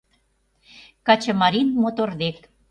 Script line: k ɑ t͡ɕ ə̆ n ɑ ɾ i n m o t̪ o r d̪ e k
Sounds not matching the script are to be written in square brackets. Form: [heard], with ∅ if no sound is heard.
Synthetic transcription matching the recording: k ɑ t͡ɕ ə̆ [m] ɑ ɾ i n m o t̪ o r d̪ e k